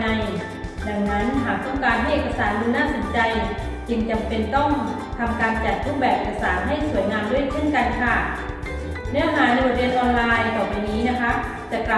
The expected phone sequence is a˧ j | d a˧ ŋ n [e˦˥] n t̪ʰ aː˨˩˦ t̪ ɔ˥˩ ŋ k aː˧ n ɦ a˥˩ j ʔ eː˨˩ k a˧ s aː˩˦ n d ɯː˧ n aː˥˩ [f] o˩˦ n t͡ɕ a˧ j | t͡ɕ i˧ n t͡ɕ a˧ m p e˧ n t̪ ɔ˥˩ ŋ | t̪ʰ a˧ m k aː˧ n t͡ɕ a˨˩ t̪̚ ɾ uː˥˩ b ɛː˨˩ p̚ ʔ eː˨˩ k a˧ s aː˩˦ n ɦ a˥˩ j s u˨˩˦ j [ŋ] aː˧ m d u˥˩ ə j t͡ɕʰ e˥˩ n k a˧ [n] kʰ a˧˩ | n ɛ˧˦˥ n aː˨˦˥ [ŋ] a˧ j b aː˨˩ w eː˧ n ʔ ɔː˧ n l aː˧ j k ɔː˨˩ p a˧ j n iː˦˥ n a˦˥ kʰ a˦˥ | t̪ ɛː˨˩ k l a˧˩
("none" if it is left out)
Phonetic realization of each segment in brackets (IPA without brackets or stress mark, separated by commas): a˦˥, s, n, n, n